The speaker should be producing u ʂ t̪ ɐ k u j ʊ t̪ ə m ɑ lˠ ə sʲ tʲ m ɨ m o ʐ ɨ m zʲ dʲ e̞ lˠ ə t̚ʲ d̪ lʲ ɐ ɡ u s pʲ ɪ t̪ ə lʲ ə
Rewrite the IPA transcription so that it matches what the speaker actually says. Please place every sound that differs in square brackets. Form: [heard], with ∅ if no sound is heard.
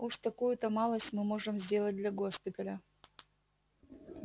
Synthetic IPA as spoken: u ʂ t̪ ɐ k u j ʊ t̪ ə m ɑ lˠ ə sʲ tʲ m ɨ m o ʐ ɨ m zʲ dʲ e̞ lˠ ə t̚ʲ d̪ lʲ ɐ ɡ [o] s pʲ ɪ t̪ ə lʲ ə